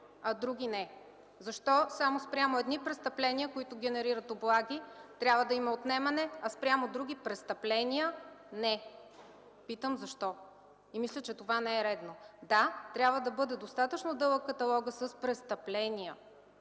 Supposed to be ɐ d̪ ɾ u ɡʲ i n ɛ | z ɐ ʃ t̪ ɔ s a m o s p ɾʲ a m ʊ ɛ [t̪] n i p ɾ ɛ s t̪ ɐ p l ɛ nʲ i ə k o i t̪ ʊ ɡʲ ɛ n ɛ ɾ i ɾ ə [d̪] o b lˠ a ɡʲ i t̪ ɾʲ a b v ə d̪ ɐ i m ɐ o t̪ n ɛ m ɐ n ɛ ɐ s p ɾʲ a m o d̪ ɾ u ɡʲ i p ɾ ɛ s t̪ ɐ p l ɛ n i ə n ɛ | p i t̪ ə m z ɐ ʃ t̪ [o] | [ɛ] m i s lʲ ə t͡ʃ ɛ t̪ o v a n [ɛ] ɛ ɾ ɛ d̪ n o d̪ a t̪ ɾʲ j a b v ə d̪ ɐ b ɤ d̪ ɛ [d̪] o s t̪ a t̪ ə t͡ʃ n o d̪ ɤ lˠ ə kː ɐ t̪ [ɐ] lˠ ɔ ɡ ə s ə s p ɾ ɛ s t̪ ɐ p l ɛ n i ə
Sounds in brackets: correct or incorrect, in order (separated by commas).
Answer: incorrect, incorrect, incorrect, incorrect, correct, correct, correct